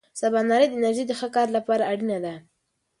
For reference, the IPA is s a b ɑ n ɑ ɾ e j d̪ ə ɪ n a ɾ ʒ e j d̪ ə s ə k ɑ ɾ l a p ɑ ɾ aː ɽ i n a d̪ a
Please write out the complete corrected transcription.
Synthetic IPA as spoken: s a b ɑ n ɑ ɾ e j d̪ ə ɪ n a ɾ ʒ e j d̪ ə x ə k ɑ ɾ l a p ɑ ɾ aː ɽ i n a d̪ a